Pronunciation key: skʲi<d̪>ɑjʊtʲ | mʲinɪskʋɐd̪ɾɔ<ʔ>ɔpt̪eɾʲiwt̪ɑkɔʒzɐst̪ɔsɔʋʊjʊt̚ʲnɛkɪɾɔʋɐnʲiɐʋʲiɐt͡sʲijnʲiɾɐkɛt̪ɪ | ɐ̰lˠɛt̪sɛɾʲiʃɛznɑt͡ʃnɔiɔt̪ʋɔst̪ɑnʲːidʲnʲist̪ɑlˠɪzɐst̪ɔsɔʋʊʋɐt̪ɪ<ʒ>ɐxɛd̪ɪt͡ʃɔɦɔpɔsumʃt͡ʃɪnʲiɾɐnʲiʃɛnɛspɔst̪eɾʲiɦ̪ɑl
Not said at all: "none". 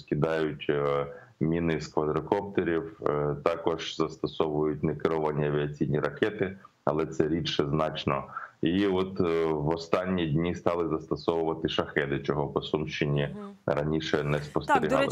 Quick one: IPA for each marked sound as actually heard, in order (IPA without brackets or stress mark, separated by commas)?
d̪, k, ʃ